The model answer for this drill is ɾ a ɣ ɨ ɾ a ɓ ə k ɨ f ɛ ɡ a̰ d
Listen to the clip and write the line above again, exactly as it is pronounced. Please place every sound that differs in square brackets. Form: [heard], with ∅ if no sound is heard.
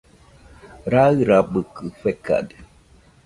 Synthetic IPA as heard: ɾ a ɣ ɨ ɾ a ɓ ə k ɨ f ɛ [k] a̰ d